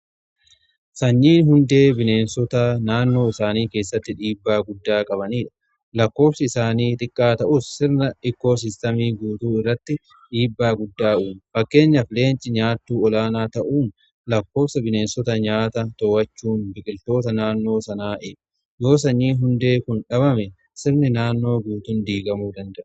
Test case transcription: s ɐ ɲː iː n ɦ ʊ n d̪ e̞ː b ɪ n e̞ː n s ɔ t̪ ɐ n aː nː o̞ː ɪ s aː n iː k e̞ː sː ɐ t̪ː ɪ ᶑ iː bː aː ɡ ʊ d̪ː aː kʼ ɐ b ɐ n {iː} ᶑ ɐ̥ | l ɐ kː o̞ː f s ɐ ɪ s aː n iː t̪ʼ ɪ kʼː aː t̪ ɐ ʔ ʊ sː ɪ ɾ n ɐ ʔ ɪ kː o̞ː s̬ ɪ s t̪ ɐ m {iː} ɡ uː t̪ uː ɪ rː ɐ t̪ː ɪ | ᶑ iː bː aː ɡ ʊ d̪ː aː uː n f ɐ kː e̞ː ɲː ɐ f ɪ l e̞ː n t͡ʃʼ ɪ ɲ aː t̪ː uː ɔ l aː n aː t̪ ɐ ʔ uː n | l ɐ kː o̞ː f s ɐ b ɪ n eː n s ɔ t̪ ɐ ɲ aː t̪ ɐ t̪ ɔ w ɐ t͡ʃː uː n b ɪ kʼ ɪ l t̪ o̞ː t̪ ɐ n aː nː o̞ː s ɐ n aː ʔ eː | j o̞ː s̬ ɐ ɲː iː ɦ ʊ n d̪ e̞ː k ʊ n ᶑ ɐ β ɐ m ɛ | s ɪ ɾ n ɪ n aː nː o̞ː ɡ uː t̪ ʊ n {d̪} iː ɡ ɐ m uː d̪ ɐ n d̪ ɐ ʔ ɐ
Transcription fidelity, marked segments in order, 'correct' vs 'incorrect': correct, correct, correct

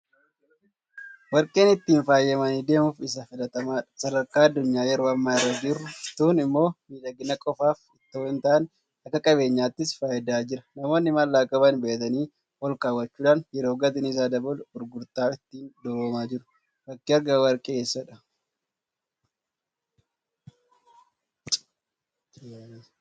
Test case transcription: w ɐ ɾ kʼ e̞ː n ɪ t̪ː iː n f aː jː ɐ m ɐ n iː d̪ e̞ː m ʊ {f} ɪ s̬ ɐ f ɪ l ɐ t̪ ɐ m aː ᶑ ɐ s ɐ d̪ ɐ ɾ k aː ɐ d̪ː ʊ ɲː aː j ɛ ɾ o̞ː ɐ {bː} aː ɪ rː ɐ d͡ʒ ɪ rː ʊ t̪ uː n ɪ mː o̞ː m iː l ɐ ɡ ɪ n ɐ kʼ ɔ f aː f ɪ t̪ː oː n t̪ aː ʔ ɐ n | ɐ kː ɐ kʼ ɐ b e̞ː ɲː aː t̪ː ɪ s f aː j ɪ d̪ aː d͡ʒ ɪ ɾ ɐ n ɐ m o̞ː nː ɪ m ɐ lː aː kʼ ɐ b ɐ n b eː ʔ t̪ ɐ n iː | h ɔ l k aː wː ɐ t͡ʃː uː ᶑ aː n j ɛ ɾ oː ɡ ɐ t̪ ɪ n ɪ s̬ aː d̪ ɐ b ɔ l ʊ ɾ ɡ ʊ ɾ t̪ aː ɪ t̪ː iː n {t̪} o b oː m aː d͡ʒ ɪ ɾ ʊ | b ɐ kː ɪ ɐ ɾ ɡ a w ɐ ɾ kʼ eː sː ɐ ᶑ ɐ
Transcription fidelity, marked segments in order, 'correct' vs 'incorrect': correct, incorrect: mː, incorrect: d̪

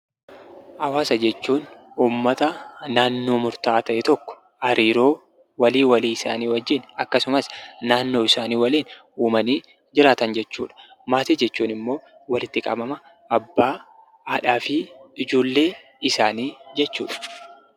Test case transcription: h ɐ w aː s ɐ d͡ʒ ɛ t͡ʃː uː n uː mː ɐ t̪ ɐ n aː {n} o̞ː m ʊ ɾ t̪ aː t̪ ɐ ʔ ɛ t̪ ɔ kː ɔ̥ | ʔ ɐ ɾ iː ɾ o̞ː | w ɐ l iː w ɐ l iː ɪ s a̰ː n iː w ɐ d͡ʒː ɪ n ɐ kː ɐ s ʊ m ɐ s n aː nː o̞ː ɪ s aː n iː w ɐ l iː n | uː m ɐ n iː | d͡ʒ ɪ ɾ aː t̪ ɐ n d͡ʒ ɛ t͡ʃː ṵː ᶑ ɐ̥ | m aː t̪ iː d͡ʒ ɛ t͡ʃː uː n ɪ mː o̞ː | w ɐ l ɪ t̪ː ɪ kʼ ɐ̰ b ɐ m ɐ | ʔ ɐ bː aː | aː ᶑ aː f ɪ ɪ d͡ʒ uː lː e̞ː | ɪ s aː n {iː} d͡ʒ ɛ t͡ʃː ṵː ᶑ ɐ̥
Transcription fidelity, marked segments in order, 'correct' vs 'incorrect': incorrect: nː, correct

